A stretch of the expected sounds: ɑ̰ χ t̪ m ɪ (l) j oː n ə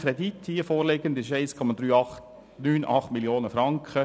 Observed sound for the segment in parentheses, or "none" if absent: l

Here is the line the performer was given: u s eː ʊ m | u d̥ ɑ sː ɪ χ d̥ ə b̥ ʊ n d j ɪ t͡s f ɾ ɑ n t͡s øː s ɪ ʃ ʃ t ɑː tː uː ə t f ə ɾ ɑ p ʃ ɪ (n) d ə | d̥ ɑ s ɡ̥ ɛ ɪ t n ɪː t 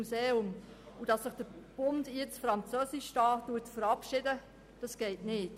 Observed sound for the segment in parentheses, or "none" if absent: none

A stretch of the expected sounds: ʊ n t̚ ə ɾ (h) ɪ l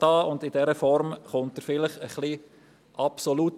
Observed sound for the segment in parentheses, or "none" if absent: f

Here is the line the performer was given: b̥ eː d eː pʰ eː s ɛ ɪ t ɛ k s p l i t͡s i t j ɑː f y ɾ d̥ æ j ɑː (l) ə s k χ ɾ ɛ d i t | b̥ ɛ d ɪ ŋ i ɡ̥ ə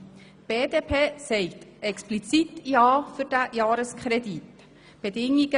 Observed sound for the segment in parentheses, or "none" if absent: ɾ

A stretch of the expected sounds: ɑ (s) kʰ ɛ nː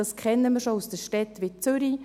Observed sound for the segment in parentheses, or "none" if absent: s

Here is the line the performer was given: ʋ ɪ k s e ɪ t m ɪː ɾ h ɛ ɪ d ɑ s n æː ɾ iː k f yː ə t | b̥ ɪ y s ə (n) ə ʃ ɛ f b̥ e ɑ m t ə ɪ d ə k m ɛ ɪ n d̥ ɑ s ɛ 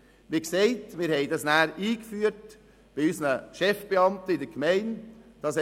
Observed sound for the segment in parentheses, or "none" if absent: n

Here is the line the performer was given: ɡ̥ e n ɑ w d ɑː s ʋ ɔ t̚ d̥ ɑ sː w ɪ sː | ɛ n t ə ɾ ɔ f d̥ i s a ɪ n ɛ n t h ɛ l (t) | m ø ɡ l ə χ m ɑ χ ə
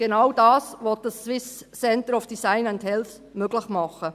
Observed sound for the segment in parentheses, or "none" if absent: s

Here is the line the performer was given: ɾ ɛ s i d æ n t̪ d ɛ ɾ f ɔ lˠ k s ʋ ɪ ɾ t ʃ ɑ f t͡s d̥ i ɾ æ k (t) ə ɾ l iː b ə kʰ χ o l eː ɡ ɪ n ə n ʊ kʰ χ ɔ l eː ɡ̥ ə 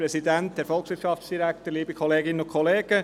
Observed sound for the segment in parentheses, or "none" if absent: t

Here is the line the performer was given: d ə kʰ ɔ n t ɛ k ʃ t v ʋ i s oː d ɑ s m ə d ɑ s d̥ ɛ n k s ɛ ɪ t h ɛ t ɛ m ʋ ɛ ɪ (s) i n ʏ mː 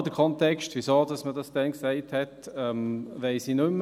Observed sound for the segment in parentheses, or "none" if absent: s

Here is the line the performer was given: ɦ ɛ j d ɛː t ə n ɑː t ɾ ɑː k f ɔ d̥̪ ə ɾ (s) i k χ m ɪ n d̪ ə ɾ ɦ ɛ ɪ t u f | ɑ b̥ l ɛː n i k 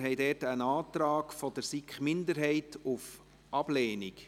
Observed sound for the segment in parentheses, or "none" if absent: s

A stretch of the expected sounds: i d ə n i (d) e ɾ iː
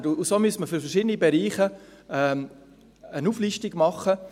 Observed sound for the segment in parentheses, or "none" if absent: b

